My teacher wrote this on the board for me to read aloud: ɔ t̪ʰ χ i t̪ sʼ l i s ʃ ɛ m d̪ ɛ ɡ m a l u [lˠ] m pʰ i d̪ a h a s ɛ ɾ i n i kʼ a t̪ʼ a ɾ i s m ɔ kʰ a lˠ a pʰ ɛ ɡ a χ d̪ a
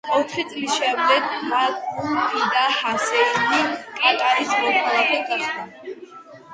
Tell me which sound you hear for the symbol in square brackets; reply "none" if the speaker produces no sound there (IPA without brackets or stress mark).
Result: none